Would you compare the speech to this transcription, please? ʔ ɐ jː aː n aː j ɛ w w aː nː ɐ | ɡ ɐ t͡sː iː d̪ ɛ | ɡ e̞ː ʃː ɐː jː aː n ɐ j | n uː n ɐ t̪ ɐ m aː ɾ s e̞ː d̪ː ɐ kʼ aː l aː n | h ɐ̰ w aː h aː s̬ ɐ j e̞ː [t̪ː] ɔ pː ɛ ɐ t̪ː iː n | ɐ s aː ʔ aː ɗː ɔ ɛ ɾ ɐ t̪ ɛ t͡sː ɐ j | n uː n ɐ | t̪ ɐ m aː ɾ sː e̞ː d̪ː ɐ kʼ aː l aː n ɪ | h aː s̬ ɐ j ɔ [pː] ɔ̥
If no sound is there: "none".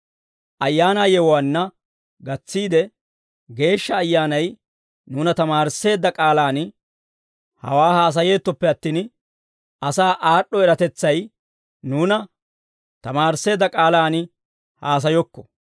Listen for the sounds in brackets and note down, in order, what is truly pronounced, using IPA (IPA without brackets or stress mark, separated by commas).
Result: t̪ː, kː